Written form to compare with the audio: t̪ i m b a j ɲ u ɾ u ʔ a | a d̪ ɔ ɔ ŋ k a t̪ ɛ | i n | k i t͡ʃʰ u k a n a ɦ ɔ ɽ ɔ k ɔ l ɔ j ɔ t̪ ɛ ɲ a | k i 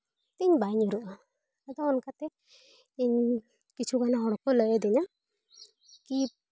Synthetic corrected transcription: t̪ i ɲ b a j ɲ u ɾ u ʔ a | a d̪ ɔ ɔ n k a t̪ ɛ | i ɲ | k i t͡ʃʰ u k a n a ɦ ɔ ɽ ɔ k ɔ l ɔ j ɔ d̪ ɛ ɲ a | k i